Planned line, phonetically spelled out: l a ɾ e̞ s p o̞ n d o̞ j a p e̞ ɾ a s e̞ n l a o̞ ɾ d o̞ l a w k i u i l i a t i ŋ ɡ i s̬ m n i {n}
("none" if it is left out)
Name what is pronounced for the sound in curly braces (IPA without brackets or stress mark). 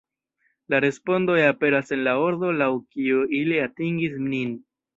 n